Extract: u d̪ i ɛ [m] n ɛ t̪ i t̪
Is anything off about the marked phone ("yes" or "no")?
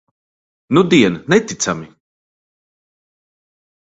yes